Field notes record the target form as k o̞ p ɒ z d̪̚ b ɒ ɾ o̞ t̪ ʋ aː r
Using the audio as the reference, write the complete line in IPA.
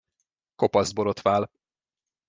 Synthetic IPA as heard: k o̞ p ɒ z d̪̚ b o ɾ o̞ t̪ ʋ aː l